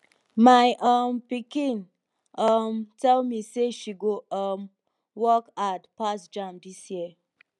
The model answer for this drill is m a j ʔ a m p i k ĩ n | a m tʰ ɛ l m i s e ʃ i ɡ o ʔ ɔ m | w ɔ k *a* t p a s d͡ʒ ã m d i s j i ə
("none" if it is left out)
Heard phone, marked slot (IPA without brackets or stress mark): a